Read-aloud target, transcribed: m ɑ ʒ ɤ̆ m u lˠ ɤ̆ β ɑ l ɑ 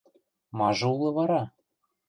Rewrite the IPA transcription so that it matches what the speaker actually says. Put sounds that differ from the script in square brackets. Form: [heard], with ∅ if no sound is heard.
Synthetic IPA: m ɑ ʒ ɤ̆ [∅] u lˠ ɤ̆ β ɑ [ɾ] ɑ